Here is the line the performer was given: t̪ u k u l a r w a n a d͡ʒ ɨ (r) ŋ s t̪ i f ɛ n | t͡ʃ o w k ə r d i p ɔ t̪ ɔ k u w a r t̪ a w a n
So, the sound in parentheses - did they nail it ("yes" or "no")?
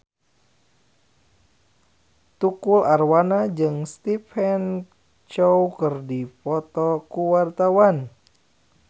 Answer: no